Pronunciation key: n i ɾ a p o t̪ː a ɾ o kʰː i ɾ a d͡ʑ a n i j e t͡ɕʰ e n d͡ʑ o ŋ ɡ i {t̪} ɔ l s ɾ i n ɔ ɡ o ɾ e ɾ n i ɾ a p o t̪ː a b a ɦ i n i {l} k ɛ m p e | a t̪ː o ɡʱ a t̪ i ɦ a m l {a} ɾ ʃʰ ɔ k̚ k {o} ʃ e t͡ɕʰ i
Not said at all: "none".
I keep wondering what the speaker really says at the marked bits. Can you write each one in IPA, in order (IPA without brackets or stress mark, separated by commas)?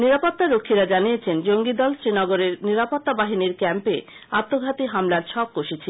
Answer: d̪, ɾ, a, o